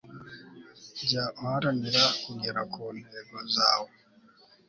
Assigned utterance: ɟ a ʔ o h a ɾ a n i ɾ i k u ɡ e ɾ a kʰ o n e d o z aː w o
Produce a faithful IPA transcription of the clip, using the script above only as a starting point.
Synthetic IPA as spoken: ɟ a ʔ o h a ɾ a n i ɾ a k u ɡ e ɾ a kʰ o n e ɡ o z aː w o